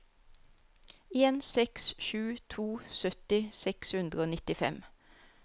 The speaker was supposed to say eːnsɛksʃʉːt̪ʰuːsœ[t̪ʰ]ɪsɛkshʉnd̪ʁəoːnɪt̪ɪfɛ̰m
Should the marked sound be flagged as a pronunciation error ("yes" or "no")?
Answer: yes